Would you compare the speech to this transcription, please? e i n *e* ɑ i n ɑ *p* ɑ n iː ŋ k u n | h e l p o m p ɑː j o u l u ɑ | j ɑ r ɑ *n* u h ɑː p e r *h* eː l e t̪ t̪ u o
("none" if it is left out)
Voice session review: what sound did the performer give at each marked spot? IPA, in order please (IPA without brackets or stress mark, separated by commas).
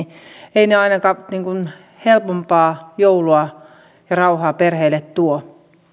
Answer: e, k, none, h